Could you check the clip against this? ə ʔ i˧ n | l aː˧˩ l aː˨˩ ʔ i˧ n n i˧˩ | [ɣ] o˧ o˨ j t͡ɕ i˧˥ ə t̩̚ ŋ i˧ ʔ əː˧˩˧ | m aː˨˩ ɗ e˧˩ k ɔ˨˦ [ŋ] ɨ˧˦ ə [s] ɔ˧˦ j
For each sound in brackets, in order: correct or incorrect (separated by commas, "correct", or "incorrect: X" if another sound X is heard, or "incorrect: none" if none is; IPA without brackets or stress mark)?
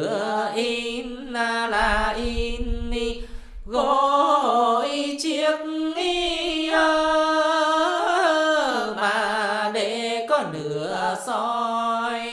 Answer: correct, incorrect: n, correct